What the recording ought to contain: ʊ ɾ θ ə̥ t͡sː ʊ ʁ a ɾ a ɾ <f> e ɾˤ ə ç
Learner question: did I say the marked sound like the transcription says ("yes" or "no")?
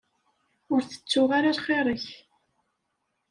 no